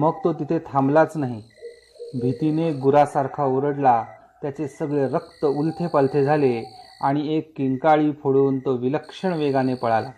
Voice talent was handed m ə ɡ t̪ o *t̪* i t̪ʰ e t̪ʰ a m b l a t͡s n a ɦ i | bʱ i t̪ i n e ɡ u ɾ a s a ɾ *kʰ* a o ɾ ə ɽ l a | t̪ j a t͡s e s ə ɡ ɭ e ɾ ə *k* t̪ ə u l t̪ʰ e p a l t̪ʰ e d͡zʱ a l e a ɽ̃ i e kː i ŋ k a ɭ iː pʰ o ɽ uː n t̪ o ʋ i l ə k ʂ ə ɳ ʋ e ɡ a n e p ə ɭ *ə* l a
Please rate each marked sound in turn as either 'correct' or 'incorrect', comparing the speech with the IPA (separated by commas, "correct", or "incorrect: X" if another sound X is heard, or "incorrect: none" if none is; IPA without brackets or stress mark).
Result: correct, correct, correct, incorrect: a